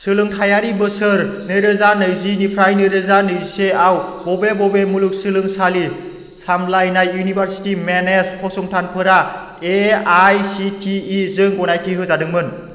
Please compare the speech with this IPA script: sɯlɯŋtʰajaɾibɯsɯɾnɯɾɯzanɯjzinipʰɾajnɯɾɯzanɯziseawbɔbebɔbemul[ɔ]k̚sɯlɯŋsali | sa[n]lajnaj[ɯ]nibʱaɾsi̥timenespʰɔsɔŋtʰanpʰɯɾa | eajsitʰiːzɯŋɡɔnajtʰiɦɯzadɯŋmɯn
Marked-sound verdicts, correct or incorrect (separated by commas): incorrect, incorrect, incorrect